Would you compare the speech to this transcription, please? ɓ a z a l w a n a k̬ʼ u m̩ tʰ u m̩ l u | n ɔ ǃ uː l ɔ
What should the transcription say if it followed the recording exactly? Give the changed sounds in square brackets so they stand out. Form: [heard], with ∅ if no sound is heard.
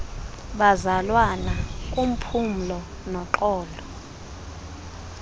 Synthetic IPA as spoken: ɓ a z a l w a n a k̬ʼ u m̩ [pʰ] u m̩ l [ɔ] | n ɔ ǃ [ɔː] l ɔ